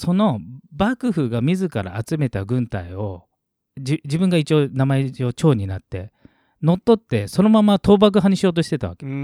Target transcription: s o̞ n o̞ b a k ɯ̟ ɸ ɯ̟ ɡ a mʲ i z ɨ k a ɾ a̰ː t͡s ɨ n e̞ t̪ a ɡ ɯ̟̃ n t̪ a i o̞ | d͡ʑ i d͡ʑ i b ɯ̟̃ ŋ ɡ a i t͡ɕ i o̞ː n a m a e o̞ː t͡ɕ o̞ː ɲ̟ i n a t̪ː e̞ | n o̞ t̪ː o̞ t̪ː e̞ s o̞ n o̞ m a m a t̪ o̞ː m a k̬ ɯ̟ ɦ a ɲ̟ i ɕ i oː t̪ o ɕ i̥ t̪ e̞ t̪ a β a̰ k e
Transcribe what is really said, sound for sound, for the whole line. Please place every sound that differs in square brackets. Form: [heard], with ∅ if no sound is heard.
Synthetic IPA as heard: s o̞ n o̞ b a k ɯ̟ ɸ ɯ̟ ɡ a mʲ i z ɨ k a ɾ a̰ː t͡s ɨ [m] e̞ t̪ a ɡ ɯ̟̃ n t̪ a i o̞ | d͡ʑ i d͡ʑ i b ɯ̟̃ ŋ ɡ a i t͡ɕ i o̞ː n a m a e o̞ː t͡ɕ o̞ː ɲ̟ i n a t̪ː e̞ | n o̞ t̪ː o̞ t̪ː e̞ s o̞ n o̞ m a m a t̪ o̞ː [b] a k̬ ɯ̟ ɦ a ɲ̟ i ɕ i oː t̪ o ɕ i̥ t̪ e̞ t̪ a β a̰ k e